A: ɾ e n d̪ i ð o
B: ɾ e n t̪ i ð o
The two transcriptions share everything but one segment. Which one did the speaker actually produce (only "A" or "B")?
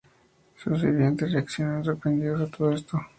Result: A